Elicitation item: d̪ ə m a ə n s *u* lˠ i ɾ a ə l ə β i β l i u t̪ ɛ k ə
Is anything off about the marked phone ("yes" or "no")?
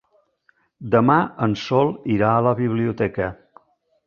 yes